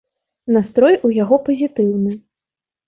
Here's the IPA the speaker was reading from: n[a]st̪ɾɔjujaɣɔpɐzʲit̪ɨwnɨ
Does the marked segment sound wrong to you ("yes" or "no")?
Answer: no